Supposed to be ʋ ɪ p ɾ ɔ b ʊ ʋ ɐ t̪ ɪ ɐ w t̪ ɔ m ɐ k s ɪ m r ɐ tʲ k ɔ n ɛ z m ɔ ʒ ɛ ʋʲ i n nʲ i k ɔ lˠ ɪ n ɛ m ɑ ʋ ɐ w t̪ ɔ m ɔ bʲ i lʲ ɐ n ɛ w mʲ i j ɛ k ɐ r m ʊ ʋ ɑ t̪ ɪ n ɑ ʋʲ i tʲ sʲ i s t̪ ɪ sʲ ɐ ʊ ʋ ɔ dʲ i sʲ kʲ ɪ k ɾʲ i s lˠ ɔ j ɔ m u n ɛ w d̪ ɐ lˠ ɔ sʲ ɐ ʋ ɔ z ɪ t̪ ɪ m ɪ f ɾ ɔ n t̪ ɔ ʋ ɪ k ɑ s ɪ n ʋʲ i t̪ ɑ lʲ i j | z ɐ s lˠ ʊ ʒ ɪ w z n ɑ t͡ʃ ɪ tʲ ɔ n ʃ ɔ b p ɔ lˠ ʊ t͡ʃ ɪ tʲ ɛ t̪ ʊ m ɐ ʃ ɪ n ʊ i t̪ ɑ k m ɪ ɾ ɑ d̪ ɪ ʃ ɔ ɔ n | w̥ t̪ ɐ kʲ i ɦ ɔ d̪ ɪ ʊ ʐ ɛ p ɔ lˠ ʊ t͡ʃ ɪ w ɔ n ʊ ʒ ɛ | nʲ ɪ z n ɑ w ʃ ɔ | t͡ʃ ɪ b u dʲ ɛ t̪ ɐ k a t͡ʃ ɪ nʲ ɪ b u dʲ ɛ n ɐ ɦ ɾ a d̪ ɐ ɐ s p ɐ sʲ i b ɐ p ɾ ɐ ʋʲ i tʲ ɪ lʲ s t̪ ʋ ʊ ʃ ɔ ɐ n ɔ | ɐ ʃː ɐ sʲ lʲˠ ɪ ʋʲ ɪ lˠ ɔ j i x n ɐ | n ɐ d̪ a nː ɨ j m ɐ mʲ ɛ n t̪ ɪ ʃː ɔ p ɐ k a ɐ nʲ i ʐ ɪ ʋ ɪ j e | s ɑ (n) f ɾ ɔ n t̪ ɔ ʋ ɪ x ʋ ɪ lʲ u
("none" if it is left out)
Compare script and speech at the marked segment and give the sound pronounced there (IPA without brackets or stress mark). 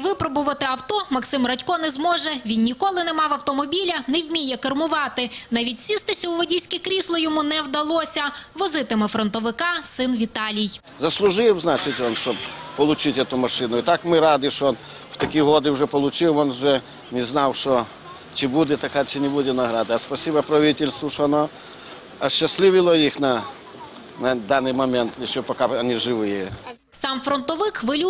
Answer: m